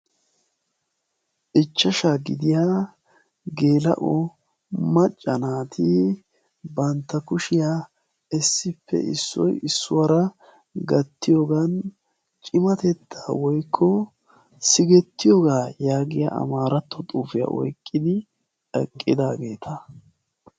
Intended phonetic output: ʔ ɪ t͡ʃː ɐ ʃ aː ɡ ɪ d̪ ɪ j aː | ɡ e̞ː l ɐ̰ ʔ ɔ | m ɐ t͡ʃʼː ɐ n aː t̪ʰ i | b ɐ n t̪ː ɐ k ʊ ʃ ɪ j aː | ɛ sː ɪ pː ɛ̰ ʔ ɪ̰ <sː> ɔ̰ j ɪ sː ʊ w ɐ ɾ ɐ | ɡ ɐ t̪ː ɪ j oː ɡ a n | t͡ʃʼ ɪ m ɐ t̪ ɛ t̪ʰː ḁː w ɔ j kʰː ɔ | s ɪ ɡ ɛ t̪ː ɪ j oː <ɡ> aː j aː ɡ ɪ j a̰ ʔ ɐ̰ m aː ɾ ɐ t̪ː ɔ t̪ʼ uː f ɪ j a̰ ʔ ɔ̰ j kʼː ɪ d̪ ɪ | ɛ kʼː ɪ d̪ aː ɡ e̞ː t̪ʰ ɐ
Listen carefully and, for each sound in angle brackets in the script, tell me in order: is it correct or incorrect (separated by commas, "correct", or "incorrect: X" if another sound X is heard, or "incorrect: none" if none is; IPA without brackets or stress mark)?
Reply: correct, correct